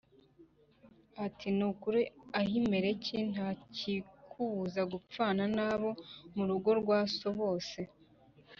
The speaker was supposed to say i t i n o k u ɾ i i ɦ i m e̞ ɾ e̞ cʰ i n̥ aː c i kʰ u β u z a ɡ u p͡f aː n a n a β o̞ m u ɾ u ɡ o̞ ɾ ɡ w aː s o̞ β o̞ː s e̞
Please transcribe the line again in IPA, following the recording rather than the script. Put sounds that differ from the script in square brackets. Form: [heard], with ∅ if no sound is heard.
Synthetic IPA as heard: [a] t i n [u] k u ɾ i [a] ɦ i m e̞ ɾ e̞ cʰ i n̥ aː c i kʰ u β u z a ɡ u p͡f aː n a n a β o̞ m u ɾ u ɡ o̞ ɾ ɡ w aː s o̞ β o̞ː s e̞